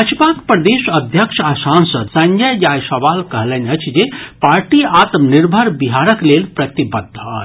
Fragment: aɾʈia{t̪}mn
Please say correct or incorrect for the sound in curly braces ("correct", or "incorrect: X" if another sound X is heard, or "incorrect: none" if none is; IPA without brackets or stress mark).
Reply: correct